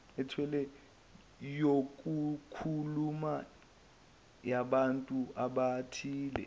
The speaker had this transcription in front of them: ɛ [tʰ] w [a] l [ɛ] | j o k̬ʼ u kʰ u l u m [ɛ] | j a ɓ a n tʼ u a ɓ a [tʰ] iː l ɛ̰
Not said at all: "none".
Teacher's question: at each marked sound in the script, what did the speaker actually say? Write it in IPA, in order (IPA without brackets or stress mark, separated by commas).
tʰ, ɛ, ɛ, a, tʰ